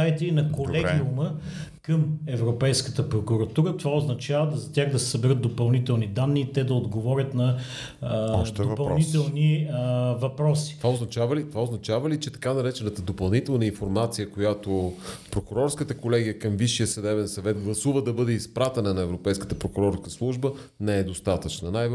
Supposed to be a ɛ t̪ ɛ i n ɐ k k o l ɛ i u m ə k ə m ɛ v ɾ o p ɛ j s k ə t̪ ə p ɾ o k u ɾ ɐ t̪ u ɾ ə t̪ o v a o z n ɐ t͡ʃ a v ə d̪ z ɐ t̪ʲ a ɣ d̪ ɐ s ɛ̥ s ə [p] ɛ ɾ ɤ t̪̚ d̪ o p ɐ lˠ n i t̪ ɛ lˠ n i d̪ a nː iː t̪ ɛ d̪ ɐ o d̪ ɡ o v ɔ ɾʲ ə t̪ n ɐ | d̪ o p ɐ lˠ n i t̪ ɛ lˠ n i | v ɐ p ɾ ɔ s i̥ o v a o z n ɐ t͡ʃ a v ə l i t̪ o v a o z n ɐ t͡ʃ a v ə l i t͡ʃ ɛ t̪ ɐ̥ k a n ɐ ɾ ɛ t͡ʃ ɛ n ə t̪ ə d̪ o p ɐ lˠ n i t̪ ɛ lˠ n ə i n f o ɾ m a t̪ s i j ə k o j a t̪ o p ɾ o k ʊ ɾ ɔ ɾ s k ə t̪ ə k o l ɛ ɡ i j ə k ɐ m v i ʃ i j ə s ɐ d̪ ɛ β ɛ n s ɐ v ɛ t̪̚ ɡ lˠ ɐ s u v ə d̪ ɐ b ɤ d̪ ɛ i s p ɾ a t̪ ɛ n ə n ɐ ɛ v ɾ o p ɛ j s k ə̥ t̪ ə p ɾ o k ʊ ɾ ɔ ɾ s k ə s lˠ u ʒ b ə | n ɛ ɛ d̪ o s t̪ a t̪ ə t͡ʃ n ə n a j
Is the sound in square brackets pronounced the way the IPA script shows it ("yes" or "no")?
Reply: no